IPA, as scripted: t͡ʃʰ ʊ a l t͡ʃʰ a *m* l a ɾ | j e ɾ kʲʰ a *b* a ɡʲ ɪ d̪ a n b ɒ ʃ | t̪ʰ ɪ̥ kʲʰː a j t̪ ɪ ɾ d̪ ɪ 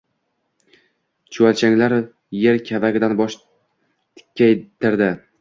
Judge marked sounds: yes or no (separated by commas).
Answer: no, no